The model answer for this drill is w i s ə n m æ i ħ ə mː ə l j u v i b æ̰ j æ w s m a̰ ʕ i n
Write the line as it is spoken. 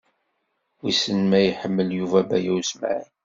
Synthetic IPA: w i s ə n m æ j ħ ə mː ə l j u v æ b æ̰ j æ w s m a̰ ʕ i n